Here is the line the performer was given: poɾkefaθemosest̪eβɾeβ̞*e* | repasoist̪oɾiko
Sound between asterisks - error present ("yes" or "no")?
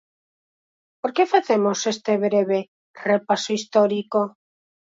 no